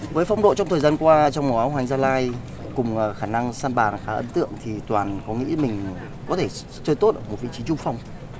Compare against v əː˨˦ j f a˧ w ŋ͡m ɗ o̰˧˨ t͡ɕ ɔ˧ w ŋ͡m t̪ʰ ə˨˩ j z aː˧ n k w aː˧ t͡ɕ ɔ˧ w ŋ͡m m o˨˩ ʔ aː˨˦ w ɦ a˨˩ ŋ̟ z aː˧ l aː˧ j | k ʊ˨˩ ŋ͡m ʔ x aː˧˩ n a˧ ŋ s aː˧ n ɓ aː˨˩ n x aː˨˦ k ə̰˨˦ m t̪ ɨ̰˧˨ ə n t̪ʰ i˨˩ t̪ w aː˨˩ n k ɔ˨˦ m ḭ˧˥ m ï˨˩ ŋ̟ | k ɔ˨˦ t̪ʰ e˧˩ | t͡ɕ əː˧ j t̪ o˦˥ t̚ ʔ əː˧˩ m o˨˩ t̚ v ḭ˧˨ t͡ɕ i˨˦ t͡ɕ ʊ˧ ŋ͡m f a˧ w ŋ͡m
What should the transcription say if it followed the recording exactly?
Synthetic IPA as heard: v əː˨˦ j f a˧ w ŋ͡m ɗ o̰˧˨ t͡ɕ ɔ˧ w ŋ͡m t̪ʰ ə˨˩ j z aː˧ n k w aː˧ t͡ɕ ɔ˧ w ŋ͡m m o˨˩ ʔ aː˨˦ w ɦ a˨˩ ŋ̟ z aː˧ l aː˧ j | k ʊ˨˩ ŋ͡m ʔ x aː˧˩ n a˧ ŋ s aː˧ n ɓ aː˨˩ n x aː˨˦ ʔ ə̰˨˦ n t̪ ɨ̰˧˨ ə ŋ t̪ʰ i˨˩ t̪ w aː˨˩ n k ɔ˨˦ ŋ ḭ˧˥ m ï˨˩ ŋ̟ | k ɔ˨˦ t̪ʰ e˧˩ | t͡ɕ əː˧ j t̪ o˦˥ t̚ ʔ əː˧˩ m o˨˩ t̚ v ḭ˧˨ t͡ɕ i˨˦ t͡ɕ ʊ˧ ŋ͡m f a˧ w ŋ͡m